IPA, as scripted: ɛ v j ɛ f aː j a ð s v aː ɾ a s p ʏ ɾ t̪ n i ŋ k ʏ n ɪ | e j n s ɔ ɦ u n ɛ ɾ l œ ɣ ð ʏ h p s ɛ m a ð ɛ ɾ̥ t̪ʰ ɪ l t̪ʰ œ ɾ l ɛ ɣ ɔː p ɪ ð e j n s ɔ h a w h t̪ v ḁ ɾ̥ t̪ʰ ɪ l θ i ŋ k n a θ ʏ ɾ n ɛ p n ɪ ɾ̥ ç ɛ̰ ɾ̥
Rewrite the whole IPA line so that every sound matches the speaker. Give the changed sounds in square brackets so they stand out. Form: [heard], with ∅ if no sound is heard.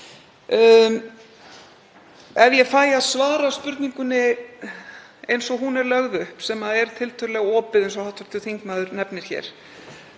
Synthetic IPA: ɛ v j ɛ f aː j a ð s v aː ɾ a s p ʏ ɾ t̪ n i ŋ k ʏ n ɪ | e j n s ɔ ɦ u n ɛ ɾ l œ ɣ ð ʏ h p s ɛ m a ð ɛ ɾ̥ t̪ʰ ɪ l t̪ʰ œ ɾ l ɛ ɣ ɔː p ɪ ð e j n s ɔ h a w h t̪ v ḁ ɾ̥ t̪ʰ ɪ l θ i ŋ k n a [ð] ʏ ɾ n ɛ p n ɪ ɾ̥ ç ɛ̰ ɾ̥

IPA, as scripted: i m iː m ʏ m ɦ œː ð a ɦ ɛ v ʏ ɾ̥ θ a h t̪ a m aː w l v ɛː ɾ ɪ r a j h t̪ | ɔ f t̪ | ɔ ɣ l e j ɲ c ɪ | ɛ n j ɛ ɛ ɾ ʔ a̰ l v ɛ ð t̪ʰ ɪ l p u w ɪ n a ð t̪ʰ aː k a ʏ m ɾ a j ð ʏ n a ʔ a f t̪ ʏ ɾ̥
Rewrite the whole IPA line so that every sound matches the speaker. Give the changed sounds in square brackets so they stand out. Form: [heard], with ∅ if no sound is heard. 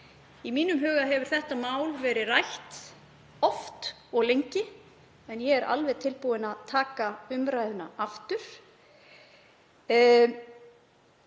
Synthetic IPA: i m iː [n] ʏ m ɦ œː [ɣ] a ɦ ɛ v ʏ ɾ̥ θ [ɛ] h t̪ a m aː w l v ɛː ɾ ɪ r a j h t̪ | ɔ f t̪ | ɔ ɣ l e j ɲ c ɪ | ɛ n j ɛ ɛ ɾ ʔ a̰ l v ɛ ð t̪ʰ ɪ l p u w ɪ n a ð t̪ʰ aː k a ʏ m ɾ a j ð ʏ n a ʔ a f t̪ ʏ ɾ̥

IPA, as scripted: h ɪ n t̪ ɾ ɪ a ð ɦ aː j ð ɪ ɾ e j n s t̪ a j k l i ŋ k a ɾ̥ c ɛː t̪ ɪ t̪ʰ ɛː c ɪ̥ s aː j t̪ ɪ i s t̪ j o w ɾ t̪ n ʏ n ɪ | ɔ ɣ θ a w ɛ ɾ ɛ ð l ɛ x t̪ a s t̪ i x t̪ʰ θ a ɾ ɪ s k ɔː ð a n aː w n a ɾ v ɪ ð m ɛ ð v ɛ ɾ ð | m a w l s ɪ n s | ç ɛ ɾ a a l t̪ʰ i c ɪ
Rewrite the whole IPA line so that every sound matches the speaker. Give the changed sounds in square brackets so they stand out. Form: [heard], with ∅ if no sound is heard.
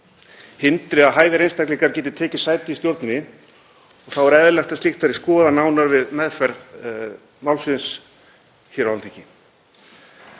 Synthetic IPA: h ɪ n t̪ ɾ ɪ a ð ɦ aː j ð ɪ ɾ e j n s t̪ a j k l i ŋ k a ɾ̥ c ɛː t̪ ɪ t̪ʰ ɛː c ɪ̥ s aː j t̪ ɪ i s t̪ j o w ɾ t̪ n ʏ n ɪ | ɔ ɣ θ a w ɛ ɾ ɛ ð l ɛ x t̪ a s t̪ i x [t̪] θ a ɾ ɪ s k ɔː ð a n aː w n a ɾ v ɪ ð m ɛ ð [f] ɛ ɾ ð | m a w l s ɪ n s | ç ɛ ɾ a a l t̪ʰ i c ɪ

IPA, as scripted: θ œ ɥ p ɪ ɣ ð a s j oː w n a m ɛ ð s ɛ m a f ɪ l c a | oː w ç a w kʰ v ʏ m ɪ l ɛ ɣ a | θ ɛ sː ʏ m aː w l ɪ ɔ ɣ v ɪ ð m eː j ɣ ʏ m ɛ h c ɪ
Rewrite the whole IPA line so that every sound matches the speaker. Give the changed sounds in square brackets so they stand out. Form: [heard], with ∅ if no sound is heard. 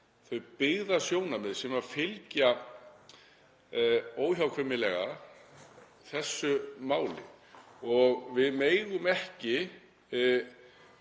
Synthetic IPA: θ œ ɥ p ɪ ɣ ð a s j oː w n a m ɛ ð s ɛ m a f ɪ l c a | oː w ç a w kʰ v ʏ m ɪ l ɛ ɣ a | θ ɛ sː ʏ m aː w l ɪ ɔ ɣ v ɪ ð m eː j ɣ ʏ m ɛ h c ɪ

